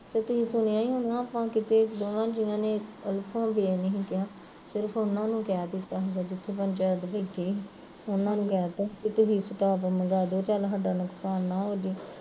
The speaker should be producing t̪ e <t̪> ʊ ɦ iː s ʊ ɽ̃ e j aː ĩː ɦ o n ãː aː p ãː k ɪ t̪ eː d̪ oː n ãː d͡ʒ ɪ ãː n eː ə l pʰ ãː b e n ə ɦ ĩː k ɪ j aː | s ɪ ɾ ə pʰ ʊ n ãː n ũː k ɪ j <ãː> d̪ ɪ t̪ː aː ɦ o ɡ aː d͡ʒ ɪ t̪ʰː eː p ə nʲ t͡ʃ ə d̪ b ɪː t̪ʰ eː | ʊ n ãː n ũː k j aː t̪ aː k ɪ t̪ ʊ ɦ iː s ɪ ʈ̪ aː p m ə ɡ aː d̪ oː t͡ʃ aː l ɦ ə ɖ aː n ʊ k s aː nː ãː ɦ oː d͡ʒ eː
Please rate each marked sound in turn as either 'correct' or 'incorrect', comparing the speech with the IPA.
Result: correct, incorrect

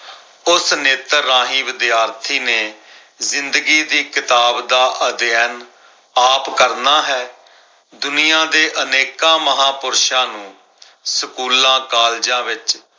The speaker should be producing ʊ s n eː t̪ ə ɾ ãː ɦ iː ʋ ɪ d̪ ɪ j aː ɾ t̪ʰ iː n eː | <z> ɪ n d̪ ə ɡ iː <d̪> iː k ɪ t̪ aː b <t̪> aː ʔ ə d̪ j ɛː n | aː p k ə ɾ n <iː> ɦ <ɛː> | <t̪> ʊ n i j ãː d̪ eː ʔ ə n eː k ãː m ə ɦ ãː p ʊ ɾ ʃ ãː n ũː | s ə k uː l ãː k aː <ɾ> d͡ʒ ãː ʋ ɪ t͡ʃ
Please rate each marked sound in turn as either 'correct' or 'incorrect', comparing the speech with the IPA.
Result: correct, correct, incorrect, incorrect, correct, incorrect, incorrect

